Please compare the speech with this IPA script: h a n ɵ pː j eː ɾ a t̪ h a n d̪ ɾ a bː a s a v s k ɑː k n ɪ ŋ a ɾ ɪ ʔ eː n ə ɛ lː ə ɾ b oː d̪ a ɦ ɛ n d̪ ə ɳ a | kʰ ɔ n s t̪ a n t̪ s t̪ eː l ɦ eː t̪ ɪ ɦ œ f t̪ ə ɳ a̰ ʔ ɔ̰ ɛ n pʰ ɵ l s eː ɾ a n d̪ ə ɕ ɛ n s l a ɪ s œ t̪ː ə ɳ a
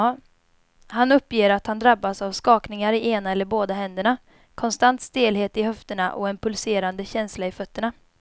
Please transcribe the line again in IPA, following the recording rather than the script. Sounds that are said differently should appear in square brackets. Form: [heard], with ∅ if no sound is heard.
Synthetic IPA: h a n ɵ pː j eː ɾ a t̪ h a n d̪ ɾ a bː a s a v s k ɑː k n ɪ ŋ a ɾ ɪ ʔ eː n [a] ɛ lː ə ɾ b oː d̪ a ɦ ɛ n d̪ ə ɳ a | kʰ ɔ n s t̪ a n t̪ s t̪ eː l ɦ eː t̪ ɪ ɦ œ f t̪ ə ɳ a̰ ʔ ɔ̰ ɛ n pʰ ɵ l s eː ɾ a n d̪ ə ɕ ɛ n s l a ɪ [f] œ t̪ː ə ɳ a